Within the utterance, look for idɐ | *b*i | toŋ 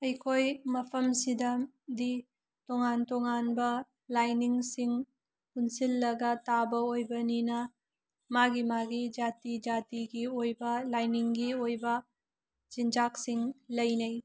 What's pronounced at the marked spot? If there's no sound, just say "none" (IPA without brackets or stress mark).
d